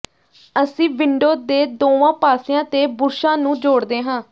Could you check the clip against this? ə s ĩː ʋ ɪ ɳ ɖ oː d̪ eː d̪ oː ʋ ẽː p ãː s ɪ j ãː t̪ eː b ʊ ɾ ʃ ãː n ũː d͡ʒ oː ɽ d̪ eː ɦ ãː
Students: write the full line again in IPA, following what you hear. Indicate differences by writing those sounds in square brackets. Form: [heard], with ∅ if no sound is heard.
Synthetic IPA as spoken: ə s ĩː ʋ ɪ ɳ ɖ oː d̪ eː d̪ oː ʋ [ãː] p [aː] s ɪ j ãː t̪ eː b ʊ ɾ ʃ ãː n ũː d͡ʒ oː ɽ d̪ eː ɦ ãː